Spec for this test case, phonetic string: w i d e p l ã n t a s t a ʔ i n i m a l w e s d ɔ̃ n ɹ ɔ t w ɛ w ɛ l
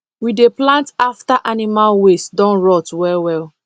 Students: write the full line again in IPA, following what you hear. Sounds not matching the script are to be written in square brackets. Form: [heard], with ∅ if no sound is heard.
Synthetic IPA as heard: w i d e p l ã n t a [f] t a ʔ [a] n i m a l w e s d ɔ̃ n ɹ ɔ t w ɛ w ɛ l